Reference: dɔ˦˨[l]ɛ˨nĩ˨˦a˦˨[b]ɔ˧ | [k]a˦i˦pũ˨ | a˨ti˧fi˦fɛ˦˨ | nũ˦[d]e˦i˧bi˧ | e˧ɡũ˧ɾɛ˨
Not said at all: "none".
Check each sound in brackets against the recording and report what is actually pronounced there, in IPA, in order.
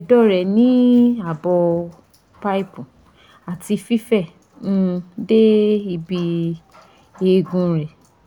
ɾ, b, p, d

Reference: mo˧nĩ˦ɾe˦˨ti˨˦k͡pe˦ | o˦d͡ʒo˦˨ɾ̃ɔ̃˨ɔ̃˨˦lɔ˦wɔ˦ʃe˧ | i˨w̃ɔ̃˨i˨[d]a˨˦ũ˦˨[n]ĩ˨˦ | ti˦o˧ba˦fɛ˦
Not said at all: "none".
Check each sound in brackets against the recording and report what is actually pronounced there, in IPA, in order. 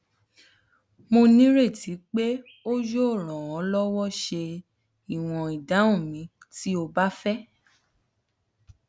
d, m

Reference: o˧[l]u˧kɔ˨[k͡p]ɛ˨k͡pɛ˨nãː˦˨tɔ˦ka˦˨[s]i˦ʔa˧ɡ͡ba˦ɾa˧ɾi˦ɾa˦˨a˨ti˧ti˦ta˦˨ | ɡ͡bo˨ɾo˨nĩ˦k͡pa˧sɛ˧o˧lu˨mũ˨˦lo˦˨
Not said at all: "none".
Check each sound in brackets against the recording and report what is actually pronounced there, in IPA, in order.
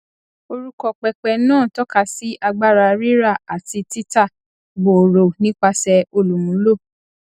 ɾ, k͡p, s

